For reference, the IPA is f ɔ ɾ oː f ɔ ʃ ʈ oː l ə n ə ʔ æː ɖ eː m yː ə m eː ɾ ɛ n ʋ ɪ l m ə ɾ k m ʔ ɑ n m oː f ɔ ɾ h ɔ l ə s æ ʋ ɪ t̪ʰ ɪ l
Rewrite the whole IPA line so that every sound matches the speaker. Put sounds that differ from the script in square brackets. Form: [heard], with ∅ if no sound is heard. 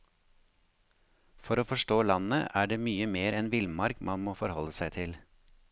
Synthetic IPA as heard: f ɔ ɾ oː f ɔ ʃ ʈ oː l [ɑ] n ə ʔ æː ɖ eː m yː ə m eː ɾ ɛ n ʋ ɪ l m [ɑ] ɾ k m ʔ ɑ n m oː f ɔ ɾ h ɔ l ə s æ [∅] ɪ t̪ʰ ɪ l